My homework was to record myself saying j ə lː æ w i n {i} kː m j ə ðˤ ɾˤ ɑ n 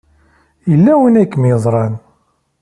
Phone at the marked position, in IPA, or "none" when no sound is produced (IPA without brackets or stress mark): æ